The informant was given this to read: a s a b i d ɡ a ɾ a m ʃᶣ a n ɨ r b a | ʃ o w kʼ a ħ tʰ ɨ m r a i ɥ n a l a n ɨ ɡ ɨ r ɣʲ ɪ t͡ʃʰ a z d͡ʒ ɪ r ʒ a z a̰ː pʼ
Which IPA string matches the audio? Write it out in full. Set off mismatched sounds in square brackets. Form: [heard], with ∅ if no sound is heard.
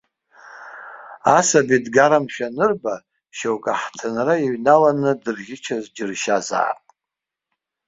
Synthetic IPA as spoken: a s a b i d ɡ a ɾ a m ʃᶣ a n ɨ r b a | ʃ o w kʼ a ħ tʰ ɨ [n] r a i ɥ n a l a n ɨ [d] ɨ r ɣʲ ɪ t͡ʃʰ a z d͡ʒ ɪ r [ʃ] a z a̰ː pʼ

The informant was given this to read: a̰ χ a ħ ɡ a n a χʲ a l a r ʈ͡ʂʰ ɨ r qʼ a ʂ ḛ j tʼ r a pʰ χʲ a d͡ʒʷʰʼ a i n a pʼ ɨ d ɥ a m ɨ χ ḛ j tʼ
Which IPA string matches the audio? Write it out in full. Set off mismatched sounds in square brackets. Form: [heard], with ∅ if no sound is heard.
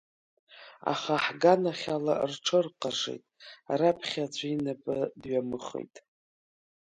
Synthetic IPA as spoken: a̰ χ a ħ ɡ a n a χʲ a l a r ʈ͡ʂʰ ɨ r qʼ a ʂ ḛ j tʼ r a pʰ χʲ a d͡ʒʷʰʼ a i n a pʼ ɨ d ɥ a m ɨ χ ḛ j tʼ

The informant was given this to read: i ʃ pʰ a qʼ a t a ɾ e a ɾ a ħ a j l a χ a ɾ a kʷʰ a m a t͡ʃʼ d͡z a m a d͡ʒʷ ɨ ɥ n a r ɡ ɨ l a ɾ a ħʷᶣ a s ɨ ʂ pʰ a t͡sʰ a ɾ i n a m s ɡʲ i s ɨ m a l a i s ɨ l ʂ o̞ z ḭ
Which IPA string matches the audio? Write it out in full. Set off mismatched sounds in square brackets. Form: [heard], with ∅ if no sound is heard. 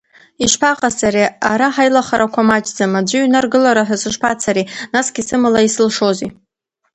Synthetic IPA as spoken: i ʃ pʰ a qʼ a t a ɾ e a ɾ a ħ a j l a χ a ɾ a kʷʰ a m a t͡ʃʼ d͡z a m a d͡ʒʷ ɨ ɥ n a r ɡ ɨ l a ɾ a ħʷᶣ a s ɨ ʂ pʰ a t͡sʰ a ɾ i n a [∅] s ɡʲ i s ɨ m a l a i s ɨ l ʂ o̞ z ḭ

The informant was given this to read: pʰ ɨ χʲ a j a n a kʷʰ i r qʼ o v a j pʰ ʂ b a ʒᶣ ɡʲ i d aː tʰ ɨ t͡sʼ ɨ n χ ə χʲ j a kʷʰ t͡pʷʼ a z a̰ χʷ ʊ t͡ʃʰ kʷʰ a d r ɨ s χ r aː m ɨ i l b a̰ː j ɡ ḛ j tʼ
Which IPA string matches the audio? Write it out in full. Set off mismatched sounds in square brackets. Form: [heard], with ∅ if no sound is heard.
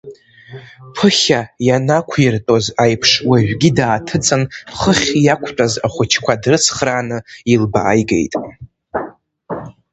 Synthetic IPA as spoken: pʰ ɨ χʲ a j a n a kʷʰ i r [tʼ] o [z] a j pʰ ʂ [w] a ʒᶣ ɡʲ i d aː tʰ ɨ t͡sʼ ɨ n χ ə χʲ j a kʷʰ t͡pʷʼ a z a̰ χʷ ʊ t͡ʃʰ kʷʰ a d r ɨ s χ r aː [n] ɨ i l b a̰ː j ɡ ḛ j tʼ

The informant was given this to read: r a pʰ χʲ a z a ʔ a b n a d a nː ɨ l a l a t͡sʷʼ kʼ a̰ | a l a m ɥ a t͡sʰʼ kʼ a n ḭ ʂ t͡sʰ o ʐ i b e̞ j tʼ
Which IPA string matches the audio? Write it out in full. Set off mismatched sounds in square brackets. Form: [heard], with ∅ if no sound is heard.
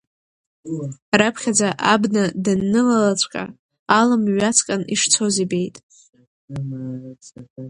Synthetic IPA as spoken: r a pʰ χʲ a [d͡z] a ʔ a b n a d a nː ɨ l a l a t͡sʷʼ kʼ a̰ | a l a m ɥ a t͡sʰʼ kʼ a n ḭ ʂ t͡sʰ o [z] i b e̞ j tʼ

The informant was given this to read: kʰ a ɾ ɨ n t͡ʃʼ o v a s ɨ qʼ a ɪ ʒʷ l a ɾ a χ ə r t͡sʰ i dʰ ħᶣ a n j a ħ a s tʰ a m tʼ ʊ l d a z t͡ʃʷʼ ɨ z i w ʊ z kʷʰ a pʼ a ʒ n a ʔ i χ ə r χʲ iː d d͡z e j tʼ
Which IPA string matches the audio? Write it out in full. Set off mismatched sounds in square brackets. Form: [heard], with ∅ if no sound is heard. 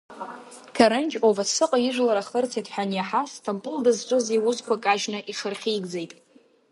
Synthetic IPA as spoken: kʰ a ɾ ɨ n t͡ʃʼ o v a s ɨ qʼ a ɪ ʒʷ l a ɾ a χ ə r t͡sʰ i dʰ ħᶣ a n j a ħ a s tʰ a m [pʼ] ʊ l d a z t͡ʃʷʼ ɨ z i w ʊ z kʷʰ a [kʼ] a ʒ n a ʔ i χ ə r χʲ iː [ɡ] d͡z e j tʼ

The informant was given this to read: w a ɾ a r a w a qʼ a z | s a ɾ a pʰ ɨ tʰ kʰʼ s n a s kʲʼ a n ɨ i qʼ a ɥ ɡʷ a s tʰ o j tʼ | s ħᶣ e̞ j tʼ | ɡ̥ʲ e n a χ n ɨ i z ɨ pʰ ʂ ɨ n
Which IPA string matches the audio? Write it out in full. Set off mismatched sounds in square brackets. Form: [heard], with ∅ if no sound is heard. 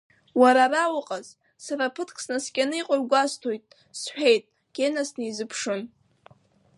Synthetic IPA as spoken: w a ɾ a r a w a qʼ a z | s a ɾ a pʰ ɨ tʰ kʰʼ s n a s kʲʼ a n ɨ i qʼ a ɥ ɡʷ a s tʰ o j tʼ | s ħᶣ e̞ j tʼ | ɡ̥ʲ e n a [s] n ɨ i z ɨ pʰ ʂ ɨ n

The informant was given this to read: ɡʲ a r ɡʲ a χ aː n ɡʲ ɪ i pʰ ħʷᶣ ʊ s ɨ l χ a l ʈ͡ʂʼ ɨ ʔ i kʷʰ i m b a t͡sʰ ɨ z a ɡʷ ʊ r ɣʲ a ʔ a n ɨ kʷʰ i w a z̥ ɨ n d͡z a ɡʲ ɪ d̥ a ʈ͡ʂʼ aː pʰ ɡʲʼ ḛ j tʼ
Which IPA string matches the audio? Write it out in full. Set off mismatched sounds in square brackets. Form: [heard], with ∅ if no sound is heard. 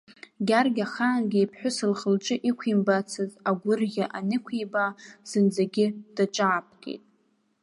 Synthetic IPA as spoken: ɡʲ a r ɡʲ a χ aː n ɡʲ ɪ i pʰ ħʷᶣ ʊ s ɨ l χ [ə] l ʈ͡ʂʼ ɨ ʔ i kʷʰ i m b a t͡sʰ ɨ z a ɡʷ ʊ r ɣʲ a ʔ a n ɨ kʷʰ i [b] a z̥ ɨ n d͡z a ɡʲ ɪ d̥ a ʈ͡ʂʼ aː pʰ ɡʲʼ ḛ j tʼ

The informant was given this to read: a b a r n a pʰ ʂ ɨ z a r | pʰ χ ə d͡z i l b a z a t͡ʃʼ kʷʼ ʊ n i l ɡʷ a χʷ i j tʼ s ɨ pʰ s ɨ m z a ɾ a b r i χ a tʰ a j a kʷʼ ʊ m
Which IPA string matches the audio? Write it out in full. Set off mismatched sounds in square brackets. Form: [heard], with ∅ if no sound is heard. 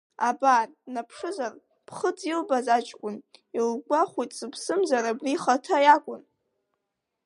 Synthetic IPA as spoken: a b a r n a pʰ ʂ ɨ z a r | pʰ χ ə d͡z i l b a z a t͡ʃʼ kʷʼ ʊ n i l ɡʷ a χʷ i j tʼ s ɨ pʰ s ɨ m z a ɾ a b r i χ a tʰ a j a kʷʼ ʊ [n]

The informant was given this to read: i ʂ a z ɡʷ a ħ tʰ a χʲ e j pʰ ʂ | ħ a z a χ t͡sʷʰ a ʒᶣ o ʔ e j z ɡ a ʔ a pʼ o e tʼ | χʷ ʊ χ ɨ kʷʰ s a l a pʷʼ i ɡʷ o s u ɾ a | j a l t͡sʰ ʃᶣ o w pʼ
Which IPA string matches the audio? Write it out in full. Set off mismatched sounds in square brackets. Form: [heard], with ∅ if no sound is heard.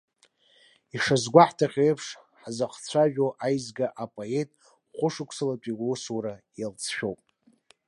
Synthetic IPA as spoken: i ʂ a z ɡʷ a ħ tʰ a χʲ e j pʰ ʂ | ħ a z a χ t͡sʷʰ a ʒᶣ o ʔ [a] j z ɡ a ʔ a pʼ o e tʼ | χʷ ʊ [ʂ] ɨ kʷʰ s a l a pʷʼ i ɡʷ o s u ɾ a | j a l t͡sʰ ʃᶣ o w pʼ

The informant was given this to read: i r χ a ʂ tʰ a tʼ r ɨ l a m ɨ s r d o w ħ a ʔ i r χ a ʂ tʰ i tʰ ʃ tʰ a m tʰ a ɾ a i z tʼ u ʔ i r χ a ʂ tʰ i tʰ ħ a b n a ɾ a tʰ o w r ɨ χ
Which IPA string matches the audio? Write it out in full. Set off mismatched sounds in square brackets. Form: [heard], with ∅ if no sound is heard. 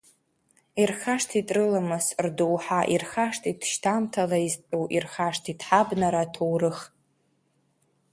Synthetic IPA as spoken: i r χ a ʂ tʰ [i] tʼ r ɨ l a m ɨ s r d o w ħ a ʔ i r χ a ʂ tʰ i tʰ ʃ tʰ a m tʰ a [l] a i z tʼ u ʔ i r χ a ʂ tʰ i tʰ ħ a b n a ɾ a tʰ o w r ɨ χ

